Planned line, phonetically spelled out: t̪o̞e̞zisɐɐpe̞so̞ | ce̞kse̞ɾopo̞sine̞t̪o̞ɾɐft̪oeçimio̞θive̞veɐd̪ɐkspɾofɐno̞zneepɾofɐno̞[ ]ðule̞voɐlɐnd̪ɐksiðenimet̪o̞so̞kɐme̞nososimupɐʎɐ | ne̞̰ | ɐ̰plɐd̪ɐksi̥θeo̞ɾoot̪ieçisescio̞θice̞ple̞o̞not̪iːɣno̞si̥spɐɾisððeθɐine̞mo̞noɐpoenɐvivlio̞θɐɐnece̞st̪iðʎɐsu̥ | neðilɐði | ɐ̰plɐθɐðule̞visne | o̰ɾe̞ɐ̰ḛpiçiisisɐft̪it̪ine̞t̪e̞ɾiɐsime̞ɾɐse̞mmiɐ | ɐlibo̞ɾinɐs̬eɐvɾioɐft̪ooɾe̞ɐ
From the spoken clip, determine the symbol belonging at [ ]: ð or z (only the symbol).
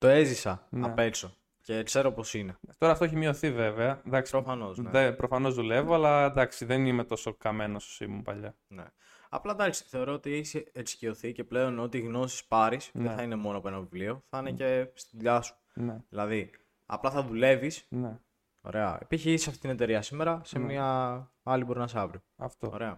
z